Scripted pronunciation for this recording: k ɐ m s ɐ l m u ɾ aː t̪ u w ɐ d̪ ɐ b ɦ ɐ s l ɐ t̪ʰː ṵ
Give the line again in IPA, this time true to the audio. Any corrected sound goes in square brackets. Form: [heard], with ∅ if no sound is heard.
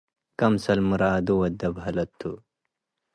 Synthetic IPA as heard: k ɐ m s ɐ l m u ɾ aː [d̪] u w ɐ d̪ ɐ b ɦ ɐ [∅] l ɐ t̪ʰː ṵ